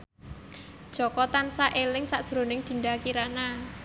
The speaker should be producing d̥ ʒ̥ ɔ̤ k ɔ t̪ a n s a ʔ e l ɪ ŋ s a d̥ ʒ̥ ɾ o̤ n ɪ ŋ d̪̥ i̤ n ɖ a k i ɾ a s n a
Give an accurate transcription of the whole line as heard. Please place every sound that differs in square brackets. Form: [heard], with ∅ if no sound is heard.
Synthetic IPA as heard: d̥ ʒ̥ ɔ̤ k ɔ t̪ a n s a ʔ e l ɪ ŋ s a d̥ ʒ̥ ɾ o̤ n ɪ ŋ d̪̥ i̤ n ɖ a k i ɾ a [∅] n a